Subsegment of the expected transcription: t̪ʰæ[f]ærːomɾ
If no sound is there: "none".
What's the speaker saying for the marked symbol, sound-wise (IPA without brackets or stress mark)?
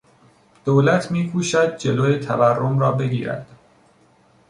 v